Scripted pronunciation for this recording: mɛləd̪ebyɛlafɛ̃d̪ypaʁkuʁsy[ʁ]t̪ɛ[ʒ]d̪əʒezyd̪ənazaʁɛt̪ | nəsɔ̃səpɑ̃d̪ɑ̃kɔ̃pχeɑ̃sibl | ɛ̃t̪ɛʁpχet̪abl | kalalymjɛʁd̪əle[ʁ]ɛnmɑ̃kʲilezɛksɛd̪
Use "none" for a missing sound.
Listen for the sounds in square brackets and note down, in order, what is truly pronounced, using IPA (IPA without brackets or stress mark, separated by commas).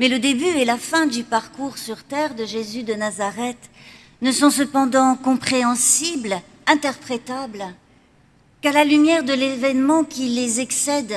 ʁ, ʁ, v